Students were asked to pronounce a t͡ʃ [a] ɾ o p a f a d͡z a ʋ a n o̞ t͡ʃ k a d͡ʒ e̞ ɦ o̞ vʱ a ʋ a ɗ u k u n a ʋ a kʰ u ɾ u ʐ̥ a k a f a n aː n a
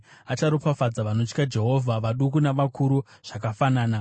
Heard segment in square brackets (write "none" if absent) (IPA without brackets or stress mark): a